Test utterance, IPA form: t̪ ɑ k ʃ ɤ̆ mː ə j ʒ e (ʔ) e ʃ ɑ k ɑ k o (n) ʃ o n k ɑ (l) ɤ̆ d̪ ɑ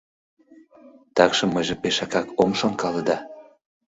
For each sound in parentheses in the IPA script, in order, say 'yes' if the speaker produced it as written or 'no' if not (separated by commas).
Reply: no, no, yes